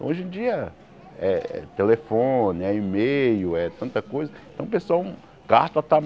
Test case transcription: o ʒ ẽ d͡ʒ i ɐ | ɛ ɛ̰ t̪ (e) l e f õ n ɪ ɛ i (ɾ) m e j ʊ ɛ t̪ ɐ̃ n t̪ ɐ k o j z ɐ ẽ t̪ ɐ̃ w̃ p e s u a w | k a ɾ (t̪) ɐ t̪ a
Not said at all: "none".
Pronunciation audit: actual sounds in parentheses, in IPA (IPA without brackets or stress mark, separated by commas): e, none, t̪